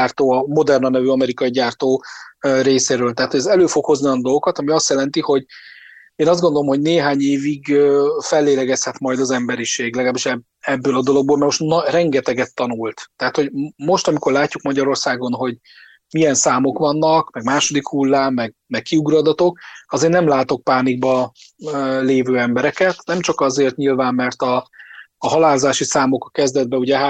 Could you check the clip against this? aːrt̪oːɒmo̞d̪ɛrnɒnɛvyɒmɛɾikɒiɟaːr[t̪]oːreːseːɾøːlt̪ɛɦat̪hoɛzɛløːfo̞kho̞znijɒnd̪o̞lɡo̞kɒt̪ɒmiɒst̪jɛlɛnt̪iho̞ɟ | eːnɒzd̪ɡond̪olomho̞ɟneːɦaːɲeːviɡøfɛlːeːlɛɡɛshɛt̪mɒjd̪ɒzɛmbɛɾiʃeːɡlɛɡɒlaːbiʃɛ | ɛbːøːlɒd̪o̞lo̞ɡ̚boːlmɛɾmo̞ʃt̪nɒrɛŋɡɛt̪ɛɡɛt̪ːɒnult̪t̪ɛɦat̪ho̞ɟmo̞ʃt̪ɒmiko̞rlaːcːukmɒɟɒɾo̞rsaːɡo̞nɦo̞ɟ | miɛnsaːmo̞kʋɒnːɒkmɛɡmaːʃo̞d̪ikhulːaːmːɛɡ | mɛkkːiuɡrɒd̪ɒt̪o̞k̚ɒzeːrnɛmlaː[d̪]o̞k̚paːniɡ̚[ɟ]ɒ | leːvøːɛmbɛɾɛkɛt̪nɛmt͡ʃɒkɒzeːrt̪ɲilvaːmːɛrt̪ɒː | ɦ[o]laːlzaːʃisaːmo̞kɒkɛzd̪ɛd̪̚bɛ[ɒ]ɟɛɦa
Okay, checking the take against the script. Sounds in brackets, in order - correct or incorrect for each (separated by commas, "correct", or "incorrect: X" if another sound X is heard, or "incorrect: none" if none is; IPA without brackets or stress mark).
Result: correct, incorrect: t̪, incorrect: b, incorrect: ɒ, incorrect: u